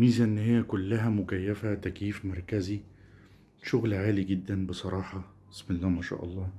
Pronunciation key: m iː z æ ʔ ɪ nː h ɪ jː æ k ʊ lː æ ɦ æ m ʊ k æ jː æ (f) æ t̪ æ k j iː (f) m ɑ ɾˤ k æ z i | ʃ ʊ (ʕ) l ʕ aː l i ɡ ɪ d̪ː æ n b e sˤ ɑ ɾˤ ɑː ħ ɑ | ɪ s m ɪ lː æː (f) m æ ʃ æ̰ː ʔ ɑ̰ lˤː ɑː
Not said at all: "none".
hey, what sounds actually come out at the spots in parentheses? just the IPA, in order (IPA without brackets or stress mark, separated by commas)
f, f, ɣ, none